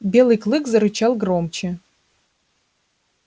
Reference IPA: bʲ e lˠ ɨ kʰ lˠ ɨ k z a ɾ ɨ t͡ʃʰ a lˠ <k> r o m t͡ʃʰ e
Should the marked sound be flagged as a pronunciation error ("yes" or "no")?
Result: yes